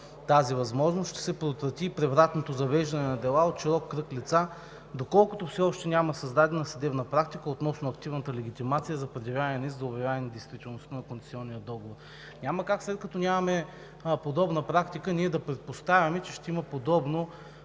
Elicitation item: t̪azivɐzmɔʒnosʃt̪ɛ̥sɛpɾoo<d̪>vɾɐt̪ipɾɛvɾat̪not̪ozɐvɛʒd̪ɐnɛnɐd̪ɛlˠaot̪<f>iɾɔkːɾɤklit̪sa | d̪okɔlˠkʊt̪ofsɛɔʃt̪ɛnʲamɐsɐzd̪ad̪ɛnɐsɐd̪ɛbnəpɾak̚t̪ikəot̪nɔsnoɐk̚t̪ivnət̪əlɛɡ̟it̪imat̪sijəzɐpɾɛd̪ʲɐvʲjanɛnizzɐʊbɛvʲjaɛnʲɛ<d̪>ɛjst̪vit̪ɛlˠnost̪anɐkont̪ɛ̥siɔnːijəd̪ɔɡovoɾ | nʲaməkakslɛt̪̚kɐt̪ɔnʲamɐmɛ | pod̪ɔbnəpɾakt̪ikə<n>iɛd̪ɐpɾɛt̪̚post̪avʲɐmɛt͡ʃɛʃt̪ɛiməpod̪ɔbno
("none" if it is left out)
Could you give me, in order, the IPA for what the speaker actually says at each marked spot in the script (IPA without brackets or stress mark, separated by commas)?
t̪, ʃ, d̪, n